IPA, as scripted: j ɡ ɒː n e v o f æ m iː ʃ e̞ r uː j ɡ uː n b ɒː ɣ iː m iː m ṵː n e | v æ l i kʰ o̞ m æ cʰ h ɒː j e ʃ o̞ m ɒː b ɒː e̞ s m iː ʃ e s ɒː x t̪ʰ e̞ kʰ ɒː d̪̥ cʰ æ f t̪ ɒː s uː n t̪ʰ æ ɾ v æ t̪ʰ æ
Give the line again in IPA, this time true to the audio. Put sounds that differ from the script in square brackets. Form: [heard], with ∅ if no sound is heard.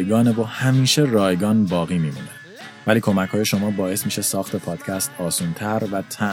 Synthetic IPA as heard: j ɡ ɒː n e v o [h] æ m iː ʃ e̞ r [ɒː] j ɡ [ɒː] n b ɒː ɣ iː m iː m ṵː n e | v æ l [iː] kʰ o̞ m æ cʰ h ɒː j e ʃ o̞ m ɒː b ɒː e̞ s m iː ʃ e s ɒː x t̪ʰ e̞ [pʰ] ɒː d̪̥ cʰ æ [s] t̪ ɒː s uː n t̪ʰ æ ɾ v æ t̪ʰ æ